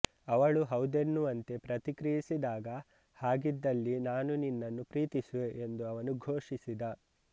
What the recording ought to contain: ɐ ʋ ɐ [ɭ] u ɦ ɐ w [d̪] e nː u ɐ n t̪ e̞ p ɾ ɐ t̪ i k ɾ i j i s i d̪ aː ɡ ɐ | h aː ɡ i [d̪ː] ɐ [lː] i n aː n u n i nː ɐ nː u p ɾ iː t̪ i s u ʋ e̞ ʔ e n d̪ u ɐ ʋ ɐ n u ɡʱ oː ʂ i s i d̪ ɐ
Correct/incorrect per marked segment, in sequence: correct, correct, correct, correct

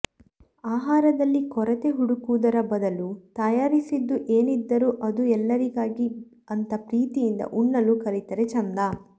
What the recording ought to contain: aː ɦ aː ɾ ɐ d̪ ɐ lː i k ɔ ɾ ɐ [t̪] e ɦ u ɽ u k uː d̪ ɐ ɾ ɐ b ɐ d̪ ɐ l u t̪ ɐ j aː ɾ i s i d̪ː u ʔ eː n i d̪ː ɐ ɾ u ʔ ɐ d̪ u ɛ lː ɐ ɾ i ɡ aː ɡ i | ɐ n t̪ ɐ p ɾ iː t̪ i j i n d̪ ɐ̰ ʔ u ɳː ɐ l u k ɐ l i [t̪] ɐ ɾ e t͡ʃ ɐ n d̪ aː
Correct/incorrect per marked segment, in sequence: correct, correct

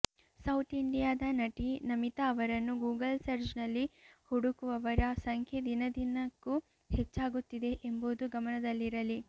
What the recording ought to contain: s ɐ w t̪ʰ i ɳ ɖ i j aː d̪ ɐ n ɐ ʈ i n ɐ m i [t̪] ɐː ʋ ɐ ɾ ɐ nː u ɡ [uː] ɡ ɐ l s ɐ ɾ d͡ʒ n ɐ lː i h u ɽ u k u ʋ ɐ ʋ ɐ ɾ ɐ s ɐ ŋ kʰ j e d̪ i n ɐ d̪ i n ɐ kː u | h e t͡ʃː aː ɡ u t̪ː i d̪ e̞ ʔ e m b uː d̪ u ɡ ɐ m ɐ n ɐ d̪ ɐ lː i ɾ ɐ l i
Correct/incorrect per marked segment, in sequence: correct, correct

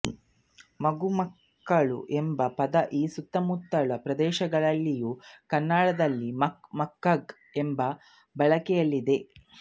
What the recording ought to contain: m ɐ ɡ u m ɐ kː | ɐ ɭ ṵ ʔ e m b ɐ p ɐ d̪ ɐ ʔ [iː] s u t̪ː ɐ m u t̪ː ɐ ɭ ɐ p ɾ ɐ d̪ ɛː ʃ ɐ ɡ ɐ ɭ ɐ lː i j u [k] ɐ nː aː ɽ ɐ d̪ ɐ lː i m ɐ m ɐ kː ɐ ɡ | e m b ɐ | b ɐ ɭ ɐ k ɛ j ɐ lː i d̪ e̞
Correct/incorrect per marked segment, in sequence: correct, correct

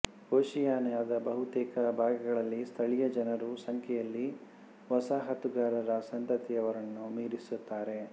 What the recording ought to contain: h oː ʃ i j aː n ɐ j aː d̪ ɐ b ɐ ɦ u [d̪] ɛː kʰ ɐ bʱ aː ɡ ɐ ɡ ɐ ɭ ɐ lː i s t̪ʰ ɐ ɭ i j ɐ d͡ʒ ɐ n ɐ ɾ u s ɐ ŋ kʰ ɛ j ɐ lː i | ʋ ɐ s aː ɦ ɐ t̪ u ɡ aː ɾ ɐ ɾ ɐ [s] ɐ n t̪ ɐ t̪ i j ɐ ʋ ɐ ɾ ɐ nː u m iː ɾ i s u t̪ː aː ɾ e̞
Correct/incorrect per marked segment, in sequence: incorrect: t̪, correct

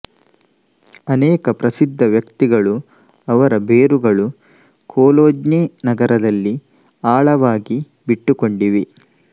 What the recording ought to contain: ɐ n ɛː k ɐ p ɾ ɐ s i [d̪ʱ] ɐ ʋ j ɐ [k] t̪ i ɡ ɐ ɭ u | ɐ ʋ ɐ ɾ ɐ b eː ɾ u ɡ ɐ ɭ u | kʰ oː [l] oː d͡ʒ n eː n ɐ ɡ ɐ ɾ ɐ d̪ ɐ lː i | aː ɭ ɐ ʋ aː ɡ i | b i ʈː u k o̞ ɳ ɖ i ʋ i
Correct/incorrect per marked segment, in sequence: incorrect: d̪ʱː, correct, correct

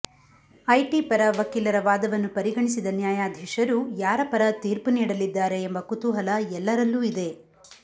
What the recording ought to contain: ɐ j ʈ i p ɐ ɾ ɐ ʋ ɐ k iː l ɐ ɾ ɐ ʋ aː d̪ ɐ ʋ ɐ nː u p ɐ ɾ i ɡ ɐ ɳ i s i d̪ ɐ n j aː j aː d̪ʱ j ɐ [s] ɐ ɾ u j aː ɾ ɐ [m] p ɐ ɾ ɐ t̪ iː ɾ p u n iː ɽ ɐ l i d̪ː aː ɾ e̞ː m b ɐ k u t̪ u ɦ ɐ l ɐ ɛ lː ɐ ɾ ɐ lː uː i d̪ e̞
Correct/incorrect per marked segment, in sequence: incorrect: ʂ, incorrect: none

